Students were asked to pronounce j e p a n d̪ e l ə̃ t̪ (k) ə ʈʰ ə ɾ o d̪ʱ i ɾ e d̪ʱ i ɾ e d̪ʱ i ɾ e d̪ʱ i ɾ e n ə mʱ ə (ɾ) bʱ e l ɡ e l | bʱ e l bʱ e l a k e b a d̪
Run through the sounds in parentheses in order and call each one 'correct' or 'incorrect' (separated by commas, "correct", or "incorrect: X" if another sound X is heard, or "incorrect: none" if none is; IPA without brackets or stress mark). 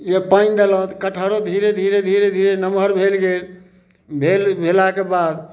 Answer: correct, correct